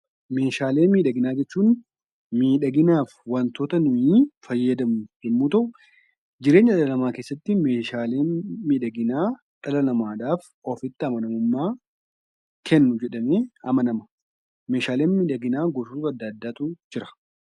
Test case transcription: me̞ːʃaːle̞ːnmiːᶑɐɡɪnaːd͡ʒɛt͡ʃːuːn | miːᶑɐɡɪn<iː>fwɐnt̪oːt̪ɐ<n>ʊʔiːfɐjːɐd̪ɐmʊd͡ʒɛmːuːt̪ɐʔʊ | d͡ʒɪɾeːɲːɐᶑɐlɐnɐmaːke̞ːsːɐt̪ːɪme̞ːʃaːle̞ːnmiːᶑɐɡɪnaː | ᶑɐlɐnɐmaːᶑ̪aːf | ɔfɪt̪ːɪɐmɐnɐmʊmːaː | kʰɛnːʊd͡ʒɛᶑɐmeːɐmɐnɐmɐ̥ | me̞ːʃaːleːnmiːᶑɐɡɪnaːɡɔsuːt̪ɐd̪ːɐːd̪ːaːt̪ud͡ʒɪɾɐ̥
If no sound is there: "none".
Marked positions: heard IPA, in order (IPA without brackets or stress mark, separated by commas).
aː, n